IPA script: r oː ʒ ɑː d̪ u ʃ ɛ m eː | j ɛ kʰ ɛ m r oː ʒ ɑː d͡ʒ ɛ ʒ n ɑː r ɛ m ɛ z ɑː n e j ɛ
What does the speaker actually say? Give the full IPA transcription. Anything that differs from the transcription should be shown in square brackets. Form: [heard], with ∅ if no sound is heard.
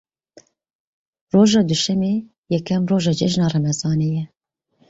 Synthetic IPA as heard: r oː ʒ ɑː d̪ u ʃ ɛ m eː | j ɛ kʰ ɛ m r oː ʒ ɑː d͡ʒ ɛ ʒ n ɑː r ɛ m ɛ z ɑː n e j ɛ